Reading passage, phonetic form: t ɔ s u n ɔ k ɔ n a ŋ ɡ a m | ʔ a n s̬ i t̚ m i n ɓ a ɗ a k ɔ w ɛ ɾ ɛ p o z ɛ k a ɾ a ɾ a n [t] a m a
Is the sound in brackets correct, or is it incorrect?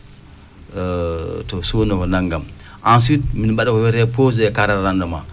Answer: incorrect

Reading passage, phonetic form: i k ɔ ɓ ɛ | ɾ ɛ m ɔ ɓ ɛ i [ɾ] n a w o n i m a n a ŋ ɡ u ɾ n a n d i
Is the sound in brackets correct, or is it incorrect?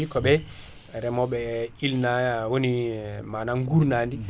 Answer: incorrect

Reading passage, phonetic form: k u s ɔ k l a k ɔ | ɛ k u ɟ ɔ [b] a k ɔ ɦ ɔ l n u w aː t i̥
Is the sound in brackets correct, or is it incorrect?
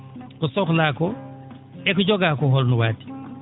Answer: incorrect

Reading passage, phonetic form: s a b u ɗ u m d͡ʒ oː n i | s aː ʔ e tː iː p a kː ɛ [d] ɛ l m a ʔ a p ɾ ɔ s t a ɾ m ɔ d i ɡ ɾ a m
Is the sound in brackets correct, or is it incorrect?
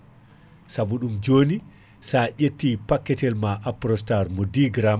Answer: incorrect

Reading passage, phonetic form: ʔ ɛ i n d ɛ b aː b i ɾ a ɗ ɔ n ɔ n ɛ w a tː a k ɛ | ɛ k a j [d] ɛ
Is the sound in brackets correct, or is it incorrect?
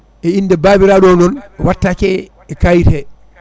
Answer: incorrect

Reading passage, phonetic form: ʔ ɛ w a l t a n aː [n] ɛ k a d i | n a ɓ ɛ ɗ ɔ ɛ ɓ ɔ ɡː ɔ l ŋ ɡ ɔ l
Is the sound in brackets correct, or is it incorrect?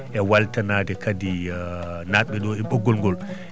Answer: incorrect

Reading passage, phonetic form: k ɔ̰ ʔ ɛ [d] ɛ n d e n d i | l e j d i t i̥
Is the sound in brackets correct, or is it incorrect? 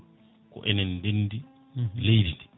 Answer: incorrect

